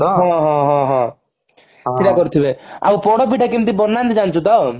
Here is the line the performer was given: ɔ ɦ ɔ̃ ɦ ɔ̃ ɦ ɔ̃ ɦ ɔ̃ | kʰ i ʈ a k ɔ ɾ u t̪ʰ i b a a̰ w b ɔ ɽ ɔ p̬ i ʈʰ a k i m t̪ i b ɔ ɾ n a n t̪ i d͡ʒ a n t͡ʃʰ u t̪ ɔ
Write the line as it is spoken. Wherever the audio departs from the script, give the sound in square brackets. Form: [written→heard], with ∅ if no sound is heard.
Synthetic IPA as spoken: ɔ ɦ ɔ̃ ɦ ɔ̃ ɦ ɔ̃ ɦ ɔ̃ | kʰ i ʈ a k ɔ ɾ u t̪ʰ i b [a→e] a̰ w [b→p] ɔ ɽ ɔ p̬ i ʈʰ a k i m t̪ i b ɔ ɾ n a n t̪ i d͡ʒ a n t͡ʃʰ u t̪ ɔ